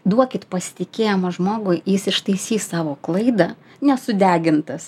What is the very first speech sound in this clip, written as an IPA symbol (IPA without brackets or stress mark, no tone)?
d̪